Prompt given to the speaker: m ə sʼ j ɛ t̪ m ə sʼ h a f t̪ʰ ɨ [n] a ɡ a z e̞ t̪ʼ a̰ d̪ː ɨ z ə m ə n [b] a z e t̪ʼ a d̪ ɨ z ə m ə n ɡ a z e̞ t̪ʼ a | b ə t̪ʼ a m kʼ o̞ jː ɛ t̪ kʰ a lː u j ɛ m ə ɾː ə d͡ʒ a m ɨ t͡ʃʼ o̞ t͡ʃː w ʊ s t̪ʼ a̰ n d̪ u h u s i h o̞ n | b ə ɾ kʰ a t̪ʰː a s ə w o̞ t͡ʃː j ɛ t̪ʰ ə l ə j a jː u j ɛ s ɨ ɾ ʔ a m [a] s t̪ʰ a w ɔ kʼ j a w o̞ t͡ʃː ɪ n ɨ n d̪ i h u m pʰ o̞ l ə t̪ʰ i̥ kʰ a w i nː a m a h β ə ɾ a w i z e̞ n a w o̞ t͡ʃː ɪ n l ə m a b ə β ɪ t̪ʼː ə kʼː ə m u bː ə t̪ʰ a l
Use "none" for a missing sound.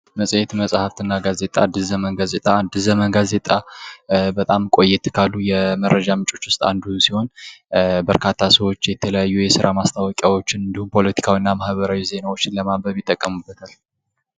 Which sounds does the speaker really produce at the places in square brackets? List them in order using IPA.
nː, ɡ, a

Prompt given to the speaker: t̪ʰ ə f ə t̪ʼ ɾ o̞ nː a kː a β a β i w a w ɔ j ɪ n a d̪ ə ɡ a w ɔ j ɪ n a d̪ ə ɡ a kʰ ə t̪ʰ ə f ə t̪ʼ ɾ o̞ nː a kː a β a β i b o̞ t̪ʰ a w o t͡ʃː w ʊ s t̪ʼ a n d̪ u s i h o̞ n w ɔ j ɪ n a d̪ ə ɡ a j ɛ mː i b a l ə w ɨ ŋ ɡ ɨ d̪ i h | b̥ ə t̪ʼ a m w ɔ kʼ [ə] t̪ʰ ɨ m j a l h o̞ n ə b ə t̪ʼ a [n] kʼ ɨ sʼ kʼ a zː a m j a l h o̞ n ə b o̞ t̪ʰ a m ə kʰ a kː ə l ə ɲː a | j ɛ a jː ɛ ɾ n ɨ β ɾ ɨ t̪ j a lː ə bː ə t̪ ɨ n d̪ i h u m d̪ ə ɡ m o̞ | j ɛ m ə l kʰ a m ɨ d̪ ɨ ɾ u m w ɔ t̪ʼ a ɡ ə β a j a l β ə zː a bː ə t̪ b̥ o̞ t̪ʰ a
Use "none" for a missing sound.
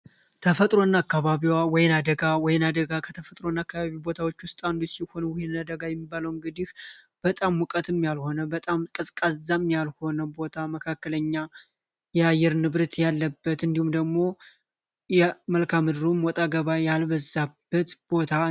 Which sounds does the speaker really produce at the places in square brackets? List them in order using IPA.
ə, m

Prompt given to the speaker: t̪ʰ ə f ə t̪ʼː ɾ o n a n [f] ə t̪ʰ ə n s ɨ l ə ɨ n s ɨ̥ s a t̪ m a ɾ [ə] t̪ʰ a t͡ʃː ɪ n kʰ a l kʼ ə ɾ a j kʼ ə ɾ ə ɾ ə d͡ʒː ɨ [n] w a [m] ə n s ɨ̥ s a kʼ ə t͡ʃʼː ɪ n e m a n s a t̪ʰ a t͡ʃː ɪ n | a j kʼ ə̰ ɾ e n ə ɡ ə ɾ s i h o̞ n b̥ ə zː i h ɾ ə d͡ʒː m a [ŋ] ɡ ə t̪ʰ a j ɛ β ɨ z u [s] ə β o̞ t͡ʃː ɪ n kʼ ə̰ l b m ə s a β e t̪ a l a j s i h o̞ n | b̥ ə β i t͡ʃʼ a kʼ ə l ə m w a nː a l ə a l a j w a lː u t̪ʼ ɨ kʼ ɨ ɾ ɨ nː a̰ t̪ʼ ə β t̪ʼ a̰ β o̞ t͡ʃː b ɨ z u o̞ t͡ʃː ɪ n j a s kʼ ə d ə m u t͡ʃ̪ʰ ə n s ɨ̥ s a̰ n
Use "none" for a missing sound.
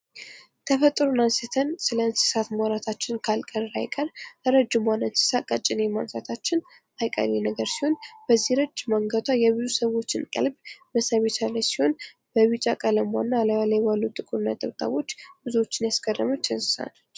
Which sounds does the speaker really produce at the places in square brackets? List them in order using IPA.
s, a, m, n, ŋ, s

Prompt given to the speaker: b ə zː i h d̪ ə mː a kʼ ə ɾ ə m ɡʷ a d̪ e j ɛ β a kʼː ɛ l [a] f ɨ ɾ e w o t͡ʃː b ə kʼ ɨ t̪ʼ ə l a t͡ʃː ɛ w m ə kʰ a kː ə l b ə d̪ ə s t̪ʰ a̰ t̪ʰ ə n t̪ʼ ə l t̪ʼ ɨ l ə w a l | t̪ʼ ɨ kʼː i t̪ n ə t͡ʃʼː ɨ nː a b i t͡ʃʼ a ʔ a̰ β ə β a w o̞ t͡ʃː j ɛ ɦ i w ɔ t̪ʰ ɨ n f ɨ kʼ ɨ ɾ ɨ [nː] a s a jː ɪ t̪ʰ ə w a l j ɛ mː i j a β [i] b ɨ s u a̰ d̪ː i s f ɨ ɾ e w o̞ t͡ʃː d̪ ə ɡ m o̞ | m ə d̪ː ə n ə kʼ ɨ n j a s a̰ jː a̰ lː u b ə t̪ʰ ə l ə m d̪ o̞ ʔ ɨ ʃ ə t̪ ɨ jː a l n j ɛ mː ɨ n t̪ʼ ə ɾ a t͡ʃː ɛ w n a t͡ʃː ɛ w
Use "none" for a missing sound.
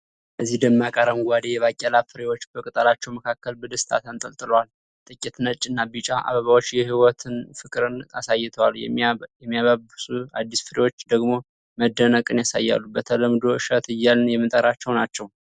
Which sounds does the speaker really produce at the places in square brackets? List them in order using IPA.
a, n, a

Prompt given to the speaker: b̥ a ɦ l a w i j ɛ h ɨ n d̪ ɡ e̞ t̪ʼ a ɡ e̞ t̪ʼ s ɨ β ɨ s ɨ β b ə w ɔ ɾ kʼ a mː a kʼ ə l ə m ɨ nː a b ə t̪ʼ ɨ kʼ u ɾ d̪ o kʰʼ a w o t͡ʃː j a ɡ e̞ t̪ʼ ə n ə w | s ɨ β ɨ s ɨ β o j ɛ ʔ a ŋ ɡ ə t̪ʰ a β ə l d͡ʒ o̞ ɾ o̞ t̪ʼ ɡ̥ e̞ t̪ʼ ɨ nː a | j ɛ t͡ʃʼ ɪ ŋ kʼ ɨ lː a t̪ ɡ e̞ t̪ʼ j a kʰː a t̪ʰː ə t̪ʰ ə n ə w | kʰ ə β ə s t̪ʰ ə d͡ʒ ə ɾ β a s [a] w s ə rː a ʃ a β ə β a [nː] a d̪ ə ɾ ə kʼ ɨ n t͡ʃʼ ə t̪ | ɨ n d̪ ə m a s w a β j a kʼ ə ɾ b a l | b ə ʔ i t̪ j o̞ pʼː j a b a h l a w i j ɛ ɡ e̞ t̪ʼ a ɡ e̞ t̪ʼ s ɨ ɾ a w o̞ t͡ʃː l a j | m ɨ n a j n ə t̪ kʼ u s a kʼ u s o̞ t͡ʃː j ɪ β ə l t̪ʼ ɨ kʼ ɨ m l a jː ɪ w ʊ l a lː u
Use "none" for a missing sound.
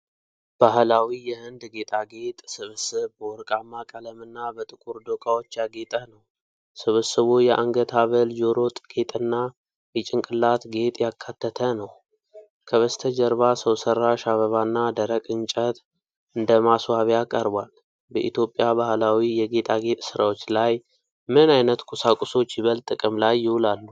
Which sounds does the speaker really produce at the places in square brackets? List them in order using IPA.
ə, nː

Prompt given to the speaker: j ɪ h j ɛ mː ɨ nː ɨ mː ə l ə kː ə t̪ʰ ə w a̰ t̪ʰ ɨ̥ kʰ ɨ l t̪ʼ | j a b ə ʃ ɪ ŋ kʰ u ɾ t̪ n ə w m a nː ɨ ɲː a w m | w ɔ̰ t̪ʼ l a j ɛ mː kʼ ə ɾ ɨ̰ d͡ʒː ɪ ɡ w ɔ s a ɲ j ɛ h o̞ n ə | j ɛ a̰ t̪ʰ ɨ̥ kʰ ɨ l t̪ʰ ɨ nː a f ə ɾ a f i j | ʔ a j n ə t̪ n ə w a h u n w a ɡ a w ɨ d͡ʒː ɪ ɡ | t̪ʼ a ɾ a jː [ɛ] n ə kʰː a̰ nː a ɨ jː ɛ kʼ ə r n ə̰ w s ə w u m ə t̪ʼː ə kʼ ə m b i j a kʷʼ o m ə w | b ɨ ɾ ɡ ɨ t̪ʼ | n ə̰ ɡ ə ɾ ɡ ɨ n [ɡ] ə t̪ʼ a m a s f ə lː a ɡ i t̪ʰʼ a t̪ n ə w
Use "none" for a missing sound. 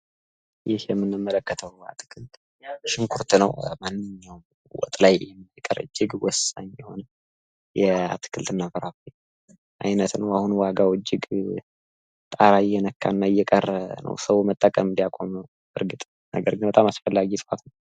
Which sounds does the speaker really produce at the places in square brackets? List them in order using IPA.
ɛ, b

